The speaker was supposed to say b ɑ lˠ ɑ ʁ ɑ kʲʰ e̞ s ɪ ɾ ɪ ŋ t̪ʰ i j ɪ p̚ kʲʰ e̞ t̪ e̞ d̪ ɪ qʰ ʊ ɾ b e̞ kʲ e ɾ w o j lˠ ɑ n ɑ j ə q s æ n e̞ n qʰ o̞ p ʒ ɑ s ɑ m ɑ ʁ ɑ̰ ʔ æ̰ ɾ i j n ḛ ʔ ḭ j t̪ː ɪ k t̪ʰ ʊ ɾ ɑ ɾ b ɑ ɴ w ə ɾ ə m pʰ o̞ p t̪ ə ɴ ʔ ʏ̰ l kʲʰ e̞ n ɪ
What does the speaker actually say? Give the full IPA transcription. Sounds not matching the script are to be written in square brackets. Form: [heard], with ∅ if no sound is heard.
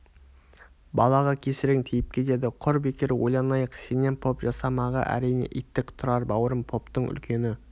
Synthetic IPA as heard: b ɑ lˠ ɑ ʁ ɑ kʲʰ e̞ s ɪ ɾ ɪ ŋ t̪ʰ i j ɪ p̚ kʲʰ e̞ t̪ e̞ d̪ ɪ qʰ ʊ ɾ b e̞ kʲ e ɾ w o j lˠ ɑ n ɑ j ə q s [e] n e̞ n [pʰ] o̞ p ʒ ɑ s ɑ m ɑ ʁ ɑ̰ ʔ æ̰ ɾ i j n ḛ ʔ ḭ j t̪ː ɪ k t̪ʰ ʊ ɾ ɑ ɾ b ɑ [∅] w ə ɾ ə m pʰ o̞ p t̪ ə ɴ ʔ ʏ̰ l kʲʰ e̞ n ɪ